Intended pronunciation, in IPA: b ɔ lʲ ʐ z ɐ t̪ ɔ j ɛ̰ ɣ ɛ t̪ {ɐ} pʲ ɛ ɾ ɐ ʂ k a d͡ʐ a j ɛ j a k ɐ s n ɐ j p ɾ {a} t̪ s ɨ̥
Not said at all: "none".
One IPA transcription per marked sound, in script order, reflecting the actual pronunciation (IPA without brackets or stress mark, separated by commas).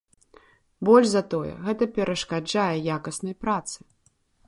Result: ɐ, a